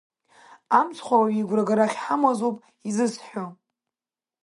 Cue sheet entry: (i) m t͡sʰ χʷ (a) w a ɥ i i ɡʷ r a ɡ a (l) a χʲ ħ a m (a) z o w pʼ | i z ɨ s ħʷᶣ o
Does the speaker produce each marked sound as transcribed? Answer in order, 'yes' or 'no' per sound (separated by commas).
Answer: no, yes, no, yes